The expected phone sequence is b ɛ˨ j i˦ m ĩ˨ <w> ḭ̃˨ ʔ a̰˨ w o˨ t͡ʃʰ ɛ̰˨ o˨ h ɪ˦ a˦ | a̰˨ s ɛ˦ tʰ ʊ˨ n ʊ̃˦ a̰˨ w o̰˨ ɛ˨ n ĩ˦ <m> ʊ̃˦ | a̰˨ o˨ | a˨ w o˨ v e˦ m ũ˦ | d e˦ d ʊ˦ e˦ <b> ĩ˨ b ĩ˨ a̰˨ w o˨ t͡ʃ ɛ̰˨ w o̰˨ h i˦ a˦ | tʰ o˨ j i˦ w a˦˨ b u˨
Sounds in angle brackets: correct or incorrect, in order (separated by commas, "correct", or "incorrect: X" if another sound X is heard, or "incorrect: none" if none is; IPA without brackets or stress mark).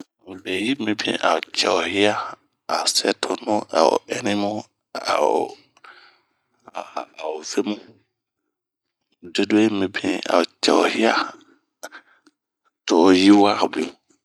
incorrect: b, correct, incorrect: m